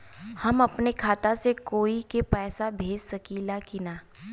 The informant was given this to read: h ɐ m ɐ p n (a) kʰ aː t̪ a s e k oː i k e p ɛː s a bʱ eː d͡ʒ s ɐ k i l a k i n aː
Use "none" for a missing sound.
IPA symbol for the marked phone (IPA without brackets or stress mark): e